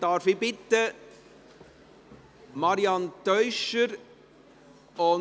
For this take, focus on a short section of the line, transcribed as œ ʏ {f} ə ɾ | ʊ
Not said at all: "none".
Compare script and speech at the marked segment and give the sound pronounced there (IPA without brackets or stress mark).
ʃ